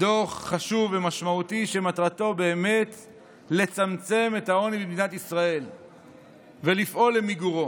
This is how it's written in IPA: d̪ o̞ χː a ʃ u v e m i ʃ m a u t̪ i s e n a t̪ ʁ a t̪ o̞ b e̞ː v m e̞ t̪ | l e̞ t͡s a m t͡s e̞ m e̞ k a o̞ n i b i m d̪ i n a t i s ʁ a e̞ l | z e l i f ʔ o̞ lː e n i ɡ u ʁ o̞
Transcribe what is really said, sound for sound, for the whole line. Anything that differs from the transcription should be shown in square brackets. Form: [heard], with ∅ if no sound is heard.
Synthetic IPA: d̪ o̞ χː a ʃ u v e m [a] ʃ m a u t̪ i [ʃ] e [m] a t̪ ʁ a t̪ o̞ b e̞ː [∅] m e̞ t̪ | l e̞ t͡s a m t͡s e̞ m e̞ [t] a o̞ n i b i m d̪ i n a t i s ʁ a e̞ l | [v] e l i f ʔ o̞ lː e [m] i ɡ u ʁ o̞